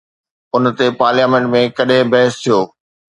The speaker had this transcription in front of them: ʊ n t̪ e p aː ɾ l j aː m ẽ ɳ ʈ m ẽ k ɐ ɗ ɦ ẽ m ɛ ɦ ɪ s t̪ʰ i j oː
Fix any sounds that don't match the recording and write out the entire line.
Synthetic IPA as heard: ʊ n t̪ e p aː ɾ l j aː m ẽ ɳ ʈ m ẽ k ɐ ɗ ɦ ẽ b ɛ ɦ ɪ s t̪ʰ i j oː